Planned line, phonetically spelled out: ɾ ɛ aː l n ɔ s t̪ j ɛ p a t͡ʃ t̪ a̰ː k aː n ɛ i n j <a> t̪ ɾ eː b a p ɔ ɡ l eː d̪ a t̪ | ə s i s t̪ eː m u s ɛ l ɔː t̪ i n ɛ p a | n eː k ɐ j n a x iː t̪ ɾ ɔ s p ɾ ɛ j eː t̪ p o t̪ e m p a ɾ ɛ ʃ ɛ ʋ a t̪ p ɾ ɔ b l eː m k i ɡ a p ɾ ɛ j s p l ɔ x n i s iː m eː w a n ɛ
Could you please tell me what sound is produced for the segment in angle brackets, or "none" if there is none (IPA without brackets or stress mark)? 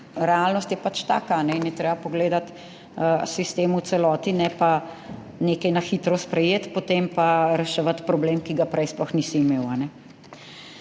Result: ɛ